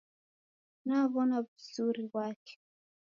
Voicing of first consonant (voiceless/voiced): voiced